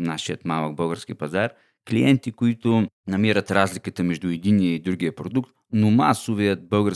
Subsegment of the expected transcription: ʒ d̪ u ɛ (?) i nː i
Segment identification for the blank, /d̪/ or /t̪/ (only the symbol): d̪